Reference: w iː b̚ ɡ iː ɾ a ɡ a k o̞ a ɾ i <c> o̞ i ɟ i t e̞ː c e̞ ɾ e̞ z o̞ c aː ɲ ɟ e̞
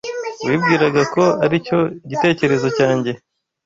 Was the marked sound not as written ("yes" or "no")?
no